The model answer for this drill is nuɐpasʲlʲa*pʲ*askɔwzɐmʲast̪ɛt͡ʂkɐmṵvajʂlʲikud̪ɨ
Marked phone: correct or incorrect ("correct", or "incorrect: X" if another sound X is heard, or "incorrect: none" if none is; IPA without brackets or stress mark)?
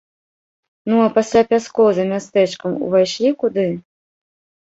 correct